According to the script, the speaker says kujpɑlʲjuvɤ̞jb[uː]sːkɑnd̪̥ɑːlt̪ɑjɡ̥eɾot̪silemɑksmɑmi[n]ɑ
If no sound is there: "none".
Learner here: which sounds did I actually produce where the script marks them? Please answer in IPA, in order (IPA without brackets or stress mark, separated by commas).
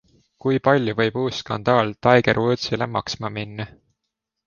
uː, nː